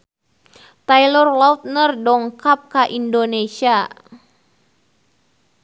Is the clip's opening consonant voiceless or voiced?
voiceless